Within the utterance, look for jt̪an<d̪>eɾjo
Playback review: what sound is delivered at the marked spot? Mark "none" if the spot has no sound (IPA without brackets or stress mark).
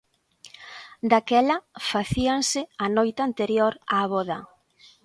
t̪